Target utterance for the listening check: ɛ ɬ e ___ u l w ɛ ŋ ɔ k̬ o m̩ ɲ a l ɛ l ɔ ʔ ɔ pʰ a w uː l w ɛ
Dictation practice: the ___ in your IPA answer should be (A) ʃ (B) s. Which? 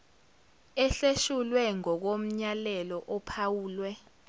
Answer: A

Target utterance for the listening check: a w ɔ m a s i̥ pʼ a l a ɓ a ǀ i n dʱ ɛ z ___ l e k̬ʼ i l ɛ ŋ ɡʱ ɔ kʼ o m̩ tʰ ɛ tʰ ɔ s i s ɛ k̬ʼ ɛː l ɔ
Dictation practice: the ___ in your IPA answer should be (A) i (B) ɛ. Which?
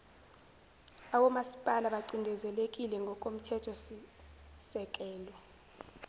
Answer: B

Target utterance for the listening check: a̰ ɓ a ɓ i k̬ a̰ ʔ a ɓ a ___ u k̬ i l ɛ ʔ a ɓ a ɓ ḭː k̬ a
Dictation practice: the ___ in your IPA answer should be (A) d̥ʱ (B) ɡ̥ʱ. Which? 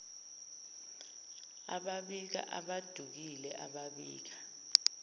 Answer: A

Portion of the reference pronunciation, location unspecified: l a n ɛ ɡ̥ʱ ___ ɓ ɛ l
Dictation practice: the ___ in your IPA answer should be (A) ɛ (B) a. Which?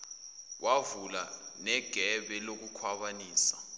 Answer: A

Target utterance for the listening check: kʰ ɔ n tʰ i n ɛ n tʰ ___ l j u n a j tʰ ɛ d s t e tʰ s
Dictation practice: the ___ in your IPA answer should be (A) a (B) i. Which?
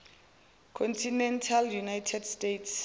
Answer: A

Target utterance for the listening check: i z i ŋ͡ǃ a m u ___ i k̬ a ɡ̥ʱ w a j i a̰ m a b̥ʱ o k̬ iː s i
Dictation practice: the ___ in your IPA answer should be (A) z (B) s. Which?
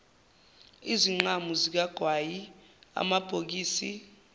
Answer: A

